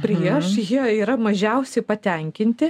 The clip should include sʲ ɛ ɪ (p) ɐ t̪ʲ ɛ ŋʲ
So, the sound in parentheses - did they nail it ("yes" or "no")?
yes